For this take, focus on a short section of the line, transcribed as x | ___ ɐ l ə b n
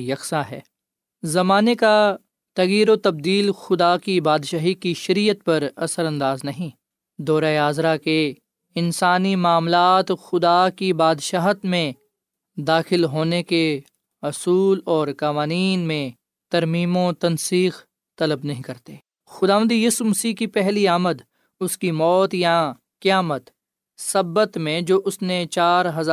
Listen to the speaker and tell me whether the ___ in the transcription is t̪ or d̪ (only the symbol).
t̪